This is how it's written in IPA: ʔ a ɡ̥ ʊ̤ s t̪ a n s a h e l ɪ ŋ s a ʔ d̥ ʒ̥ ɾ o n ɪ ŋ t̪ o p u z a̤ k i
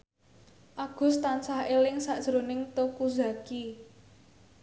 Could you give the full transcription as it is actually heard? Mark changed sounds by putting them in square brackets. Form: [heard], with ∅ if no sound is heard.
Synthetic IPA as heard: ʔ a ɡ̥ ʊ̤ s t̪ a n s a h e l ɪ ŋ s a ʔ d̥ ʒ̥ ɾ o n ɪ ŋ t̪ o [k] u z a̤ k i